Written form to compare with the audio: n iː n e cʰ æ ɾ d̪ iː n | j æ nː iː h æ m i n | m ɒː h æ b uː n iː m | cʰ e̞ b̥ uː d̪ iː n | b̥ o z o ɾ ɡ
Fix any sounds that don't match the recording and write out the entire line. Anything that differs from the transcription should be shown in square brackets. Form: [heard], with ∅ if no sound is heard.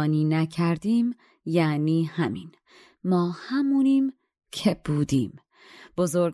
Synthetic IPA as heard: n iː n [æ] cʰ æ ɾ d̪ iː [m] | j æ [n] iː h æ m i n | m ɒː h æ [m] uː n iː m | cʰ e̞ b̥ uː d̪ iː [m] | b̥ o z o ɾ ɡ